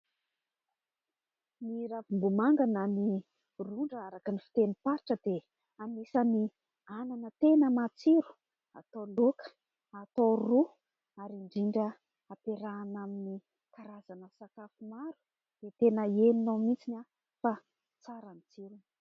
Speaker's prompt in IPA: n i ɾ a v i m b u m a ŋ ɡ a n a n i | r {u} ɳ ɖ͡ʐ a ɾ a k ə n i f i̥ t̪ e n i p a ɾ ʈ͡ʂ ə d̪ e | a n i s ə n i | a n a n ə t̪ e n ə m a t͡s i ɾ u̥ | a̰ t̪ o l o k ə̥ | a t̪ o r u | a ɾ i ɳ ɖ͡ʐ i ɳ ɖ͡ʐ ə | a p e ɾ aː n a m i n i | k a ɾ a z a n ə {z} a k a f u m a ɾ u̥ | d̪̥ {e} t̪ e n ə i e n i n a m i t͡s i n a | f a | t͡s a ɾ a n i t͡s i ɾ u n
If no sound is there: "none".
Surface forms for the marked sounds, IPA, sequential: u, s, e

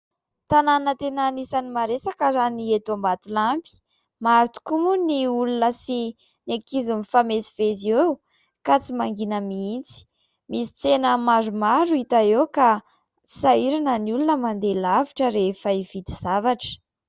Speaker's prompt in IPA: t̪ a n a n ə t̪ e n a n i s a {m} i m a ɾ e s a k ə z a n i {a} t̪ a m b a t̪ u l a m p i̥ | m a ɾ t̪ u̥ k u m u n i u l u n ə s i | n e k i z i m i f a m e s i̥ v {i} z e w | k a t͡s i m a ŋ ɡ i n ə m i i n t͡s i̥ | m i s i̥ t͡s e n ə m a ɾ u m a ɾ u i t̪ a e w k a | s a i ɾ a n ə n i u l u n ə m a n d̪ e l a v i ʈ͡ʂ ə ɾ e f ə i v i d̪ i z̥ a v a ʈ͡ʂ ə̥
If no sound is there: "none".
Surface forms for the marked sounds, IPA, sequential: n, e, e

